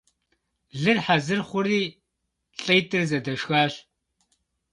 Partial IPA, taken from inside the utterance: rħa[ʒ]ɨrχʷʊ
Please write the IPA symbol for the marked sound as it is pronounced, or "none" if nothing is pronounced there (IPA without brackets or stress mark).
z